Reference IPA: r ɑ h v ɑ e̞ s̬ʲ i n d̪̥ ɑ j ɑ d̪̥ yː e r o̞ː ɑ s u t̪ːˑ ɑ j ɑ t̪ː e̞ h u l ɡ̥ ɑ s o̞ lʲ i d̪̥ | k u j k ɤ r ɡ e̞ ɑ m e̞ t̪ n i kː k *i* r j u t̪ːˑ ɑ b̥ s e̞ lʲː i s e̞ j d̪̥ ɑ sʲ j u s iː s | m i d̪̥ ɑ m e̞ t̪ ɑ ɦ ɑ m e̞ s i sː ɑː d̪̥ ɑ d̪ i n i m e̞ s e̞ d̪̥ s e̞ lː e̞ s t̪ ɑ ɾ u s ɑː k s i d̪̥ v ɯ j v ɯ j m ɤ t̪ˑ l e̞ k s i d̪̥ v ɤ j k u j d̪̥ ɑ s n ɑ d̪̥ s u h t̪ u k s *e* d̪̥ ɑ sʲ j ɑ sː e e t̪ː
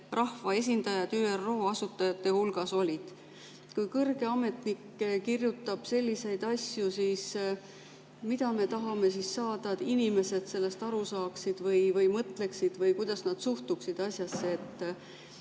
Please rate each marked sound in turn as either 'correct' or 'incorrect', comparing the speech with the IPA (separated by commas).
correct, incorrect